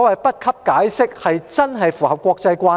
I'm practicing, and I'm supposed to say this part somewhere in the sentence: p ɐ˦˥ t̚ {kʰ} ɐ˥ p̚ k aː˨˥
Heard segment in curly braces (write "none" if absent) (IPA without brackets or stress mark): kʰ